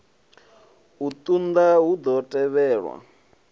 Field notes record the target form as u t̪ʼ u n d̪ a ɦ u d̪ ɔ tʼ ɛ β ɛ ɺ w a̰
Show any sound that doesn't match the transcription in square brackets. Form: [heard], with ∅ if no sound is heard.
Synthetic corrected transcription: u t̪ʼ u n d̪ a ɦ u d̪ ɔ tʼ ɛ β [ɛː] ɺ w a̰